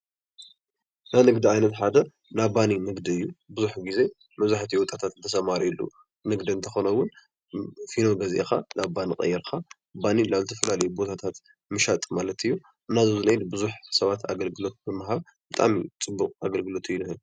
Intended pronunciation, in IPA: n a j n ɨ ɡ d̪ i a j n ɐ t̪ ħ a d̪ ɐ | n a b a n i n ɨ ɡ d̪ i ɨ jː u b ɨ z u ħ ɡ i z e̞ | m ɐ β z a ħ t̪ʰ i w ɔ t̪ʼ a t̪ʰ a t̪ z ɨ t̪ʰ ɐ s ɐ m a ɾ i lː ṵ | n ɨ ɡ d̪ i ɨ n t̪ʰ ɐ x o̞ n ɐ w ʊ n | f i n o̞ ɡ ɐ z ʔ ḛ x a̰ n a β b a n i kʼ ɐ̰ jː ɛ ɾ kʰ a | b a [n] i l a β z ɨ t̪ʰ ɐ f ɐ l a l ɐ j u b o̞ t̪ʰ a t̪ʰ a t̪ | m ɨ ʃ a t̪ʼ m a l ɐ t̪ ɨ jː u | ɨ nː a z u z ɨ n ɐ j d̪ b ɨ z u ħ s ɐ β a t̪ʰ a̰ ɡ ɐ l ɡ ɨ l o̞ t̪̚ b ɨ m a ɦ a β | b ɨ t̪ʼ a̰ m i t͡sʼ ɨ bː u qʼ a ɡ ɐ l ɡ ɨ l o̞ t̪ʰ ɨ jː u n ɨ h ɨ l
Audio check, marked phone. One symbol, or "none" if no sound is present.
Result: n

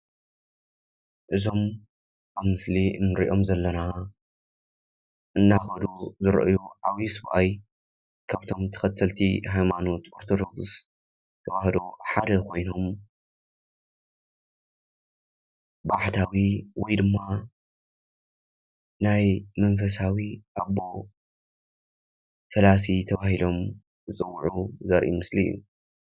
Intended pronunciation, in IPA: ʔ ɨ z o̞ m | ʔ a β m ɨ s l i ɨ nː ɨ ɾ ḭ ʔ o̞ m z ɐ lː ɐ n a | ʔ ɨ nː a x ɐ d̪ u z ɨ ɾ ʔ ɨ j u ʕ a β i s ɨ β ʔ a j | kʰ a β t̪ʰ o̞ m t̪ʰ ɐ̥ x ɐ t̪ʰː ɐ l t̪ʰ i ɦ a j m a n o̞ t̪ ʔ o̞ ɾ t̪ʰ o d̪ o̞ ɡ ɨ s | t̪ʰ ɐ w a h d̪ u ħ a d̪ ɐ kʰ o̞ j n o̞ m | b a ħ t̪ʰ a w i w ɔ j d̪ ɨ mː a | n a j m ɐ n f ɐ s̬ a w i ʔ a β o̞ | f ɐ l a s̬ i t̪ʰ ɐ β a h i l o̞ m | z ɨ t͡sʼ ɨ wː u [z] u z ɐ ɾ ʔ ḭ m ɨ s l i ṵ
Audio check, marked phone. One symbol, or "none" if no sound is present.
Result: ʕ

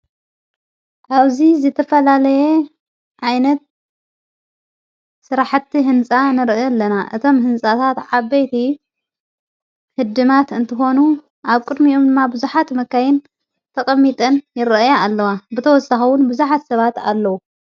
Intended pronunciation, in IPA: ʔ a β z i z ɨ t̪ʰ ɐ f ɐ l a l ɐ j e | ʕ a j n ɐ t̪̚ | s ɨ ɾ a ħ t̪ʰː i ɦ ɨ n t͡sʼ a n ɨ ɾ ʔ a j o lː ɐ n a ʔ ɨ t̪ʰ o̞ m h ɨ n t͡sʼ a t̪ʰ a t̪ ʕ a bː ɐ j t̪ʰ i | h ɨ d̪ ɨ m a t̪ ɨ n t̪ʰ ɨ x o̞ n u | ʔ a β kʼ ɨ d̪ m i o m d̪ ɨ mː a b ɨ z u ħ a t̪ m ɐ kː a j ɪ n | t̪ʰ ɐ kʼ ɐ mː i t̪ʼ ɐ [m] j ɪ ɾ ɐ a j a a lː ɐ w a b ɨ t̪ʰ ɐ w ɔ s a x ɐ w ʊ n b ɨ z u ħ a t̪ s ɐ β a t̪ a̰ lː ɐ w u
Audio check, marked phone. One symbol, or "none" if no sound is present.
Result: n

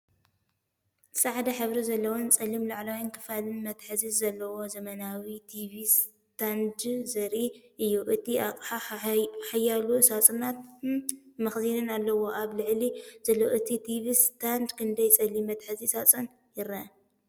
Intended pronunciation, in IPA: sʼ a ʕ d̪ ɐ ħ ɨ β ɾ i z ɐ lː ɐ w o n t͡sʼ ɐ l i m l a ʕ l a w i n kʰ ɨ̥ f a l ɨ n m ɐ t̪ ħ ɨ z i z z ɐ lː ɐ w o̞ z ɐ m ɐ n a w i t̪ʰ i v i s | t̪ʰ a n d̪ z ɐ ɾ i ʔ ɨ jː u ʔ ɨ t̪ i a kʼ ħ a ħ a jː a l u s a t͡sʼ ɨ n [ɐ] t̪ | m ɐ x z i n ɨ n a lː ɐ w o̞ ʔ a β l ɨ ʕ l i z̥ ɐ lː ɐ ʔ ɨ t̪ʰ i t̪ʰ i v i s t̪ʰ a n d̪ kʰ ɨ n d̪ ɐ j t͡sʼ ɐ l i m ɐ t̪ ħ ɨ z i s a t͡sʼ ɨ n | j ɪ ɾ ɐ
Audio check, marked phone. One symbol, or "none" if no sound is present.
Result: a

